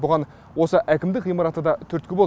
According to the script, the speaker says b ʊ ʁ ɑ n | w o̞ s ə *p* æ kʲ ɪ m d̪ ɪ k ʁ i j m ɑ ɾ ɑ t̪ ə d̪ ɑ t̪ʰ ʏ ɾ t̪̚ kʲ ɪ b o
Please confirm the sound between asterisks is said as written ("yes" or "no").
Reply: no